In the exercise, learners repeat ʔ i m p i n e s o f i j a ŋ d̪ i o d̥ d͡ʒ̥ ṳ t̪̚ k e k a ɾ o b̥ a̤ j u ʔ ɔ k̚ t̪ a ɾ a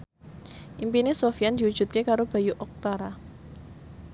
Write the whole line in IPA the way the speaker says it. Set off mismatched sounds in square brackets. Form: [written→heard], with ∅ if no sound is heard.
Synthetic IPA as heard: ʔ i m p i n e s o f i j a [ŋ→n] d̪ i [o→u] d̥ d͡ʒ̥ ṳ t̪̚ k e k a ɾ o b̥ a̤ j u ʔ ɔ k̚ t̪ a ɾ a

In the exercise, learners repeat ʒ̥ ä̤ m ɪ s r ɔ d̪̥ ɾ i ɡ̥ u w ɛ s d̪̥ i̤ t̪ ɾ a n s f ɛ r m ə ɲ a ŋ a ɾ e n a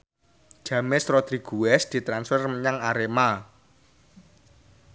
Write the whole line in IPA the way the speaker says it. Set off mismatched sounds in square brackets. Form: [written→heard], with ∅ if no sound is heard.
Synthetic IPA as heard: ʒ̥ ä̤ m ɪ s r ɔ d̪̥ ɾ i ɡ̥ u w ɛ s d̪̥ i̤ t̪ ɾ a n s f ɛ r m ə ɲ a ŋ a ɾ e [n→m] a

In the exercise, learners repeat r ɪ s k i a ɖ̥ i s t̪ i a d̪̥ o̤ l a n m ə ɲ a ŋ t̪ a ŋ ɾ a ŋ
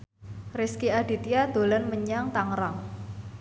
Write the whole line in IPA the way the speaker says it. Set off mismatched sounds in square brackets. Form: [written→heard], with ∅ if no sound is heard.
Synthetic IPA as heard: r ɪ s k i a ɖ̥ i [s→∅] t̪ i a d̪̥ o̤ l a n m ə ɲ a ŋ t̪ a ŋ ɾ a ŋ

